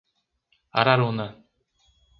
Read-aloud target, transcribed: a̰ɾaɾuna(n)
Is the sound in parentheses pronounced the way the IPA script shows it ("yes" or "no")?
no